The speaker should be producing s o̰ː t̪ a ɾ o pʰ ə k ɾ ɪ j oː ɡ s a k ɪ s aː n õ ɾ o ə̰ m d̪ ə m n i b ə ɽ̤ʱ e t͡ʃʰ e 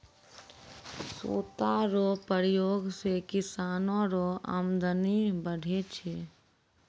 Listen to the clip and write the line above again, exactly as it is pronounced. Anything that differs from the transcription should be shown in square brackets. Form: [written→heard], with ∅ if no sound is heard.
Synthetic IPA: s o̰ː t̪ a ɾ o [pʰ→p] ə [k→∅] ɾ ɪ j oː ɡ s [a→e] k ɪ s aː n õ ɾ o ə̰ m d̪ ə [m→∅] n i b ə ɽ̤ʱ e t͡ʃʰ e